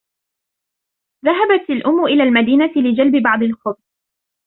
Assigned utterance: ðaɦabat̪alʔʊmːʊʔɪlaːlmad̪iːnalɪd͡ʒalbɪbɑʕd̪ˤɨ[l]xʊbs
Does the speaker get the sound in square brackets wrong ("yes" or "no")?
no